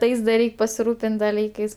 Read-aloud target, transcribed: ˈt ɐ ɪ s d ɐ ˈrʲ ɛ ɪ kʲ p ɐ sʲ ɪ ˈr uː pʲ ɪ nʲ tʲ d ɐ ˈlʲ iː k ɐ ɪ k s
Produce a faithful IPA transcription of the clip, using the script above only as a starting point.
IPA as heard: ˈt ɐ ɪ s d ɐ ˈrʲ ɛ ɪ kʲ p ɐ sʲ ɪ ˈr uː pʲ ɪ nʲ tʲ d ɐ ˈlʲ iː k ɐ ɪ s